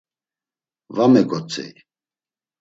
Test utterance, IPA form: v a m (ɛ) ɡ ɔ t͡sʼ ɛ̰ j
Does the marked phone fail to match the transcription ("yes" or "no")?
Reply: no